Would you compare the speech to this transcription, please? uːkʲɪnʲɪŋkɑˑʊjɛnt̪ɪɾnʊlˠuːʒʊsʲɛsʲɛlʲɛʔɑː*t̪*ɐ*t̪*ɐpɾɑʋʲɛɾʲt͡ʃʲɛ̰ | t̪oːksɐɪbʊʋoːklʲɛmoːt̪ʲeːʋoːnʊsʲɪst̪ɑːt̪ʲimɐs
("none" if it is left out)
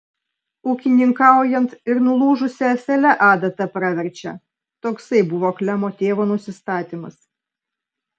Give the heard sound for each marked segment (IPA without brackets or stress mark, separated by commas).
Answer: d̪, t̪